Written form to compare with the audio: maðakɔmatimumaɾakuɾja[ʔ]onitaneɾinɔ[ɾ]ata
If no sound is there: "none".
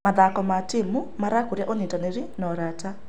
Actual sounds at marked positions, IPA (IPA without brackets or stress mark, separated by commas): ʔ, ɾ